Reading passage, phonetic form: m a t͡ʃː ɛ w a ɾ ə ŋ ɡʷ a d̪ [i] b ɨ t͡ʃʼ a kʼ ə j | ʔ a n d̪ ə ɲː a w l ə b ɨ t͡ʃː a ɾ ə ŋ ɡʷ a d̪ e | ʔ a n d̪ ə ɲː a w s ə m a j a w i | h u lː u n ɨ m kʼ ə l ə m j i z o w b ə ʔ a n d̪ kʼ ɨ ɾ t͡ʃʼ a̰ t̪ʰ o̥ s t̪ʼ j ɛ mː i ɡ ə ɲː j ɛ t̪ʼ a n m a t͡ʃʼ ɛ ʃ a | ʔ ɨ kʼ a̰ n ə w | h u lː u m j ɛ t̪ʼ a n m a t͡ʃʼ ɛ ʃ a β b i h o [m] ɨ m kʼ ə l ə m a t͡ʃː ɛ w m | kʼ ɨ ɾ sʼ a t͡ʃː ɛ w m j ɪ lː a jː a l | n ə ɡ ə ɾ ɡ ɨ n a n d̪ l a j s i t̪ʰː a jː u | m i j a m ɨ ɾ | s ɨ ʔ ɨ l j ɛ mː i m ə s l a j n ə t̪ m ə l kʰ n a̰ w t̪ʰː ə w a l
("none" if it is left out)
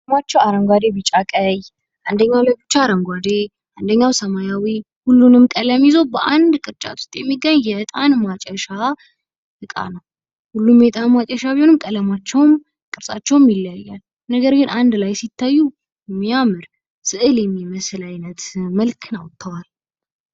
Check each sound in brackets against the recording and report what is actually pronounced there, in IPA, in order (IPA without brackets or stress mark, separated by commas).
e, n